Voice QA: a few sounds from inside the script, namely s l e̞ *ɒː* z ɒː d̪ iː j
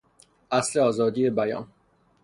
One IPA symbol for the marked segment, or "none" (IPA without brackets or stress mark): ɒː